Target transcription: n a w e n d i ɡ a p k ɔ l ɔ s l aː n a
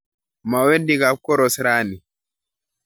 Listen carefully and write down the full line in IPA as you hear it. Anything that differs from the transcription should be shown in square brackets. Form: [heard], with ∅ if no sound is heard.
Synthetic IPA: [m] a w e n d i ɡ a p k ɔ [ɾ] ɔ s [ɾ] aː n [i]